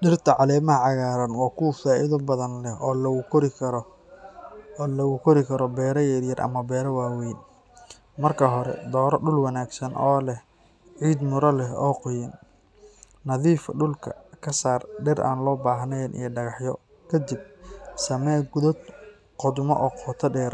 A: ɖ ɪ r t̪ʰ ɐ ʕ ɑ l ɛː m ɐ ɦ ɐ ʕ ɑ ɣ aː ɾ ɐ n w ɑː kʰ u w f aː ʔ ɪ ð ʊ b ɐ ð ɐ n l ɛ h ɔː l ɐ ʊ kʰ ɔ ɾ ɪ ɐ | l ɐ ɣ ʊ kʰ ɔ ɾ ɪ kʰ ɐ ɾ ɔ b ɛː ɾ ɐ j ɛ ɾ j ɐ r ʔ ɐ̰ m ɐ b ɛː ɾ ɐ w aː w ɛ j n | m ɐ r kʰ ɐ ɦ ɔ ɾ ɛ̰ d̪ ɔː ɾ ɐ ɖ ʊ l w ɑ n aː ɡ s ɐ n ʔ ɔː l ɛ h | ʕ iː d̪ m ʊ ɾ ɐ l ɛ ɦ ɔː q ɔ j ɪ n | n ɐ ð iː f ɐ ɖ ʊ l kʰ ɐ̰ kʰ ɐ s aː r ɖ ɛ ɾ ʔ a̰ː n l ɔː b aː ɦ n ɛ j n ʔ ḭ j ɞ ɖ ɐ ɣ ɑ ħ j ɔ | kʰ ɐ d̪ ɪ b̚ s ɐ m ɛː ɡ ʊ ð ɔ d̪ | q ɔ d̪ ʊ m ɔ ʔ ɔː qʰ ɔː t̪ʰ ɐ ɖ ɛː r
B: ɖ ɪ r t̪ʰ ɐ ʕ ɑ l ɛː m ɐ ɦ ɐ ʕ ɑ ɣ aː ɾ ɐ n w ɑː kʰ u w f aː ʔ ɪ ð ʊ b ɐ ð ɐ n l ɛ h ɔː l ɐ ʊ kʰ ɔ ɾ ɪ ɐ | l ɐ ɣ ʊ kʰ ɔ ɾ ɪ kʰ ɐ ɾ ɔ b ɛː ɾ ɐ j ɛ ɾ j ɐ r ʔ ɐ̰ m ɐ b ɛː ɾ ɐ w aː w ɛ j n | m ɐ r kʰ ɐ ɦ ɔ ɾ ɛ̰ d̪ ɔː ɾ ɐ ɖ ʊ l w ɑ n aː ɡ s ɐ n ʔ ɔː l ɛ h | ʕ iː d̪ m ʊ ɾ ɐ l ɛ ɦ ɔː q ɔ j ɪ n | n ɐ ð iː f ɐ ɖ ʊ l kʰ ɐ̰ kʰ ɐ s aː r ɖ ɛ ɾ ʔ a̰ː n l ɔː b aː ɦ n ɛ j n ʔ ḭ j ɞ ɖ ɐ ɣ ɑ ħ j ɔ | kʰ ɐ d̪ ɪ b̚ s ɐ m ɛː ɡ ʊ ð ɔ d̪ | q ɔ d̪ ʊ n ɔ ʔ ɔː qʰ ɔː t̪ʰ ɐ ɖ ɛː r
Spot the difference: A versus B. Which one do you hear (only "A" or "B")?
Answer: A